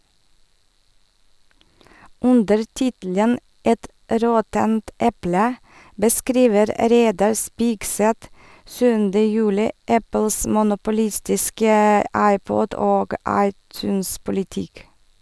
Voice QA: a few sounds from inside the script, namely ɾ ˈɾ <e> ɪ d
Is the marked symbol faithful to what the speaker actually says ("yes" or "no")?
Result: yes